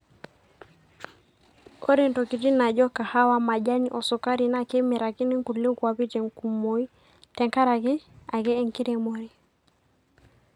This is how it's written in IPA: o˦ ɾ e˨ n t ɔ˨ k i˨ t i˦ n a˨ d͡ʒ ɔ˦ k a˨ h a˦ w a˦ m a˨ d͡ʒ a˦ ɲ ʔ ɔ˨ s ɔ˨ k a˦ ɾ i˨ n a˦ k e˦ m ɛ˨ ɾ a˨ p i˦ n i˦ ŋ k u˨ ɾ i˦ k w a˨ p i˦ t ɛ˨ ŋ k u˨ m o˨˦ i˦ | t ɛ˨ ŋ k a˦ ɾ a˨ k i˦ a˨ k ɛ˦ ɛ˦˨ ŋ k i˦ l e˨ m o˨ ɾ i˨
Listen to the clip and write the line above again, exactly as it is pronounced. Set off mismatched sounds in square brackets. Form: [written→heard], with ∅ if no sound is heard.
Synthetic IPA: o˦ ɾ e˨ n t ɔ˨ k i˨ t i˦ n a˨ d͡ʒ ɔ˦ k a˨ h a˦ w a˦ m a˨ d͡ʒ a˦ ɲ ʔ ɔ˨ s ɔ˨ k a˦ ɾ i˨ n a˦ k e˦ m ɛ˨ ɾ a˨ [p→k] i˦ n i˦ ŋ k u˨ [ɾ→l] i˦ k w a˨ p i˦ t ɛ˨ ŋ k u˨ m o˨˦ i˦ | t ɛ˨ ŋ k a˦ ɾ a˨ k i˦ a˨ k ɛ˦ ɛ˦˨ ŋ k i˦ [l→ɾ] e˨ m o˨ ɾ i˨